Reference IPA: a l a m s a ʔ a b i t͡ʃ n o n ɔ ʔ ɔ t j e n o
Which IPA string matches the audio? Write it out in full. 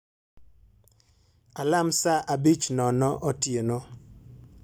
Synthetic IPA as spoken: a l a m s a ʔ a b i t͡ʃ n ɔ n ɔ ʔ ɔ t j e n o

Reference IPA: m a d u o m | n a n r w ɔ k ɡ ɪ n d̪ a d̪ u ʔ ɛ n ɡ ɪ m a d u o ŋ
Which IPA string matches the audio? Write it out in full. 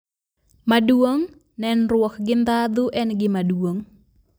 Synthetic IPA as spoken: m a d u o ŋ | n ɛ n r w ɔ k ɡ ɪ n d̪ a d̪ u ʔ ɛ n ɡ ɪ m a d u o ŋ

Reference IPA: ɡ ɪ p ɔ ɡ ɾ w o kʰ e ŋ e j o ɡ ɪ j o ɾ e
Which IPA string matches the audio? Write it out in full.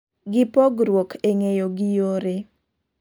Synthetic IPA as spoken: ɡ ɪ p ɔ ɡ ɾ w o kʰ e ŋ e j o ɡ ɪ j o ɾ e

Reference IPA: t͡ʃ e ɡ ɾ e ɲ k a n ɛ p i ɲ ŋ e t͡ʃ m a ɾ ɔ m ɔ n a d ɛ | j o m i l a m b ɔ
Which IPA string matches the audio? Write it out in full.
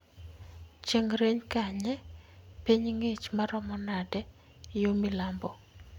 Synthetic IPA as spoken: t͡ʃ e ŋ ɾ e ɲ k a ɲ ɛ p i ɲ ŋ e t͡ʃ m a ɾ ɔ m ɔ n a d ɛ | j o m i l a m b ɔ

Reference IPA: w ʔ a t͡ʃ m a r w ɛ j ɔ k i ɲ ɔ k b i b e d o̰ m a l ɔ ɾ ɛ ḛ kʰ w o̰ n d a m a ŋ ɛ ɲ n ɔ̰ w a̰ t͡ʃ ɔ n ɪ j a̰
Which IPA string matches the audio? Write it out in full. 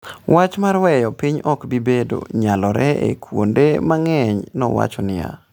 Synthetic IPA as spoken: w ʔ a t͡ʃ m a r w ɛ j ɔ p i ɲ ɔ k b i b e d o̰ ɲ a l ɔ ɾ ɛ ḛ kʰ w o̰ n d e m a ŋ ɛ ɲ n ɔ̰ w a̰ t͡ʃ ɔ n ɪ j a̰

